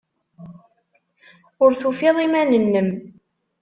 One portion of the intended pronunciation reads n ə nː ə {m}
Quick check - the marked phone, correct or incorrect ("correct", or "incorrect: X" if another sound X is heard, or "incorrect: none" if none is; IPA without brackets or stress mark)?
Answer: correct